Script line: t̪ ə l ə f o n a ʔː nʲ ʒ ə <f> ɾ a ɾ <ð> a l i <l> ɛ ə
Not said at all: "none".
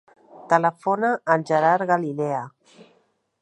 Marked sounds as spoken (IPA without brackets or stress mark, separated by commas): none, ɣ, l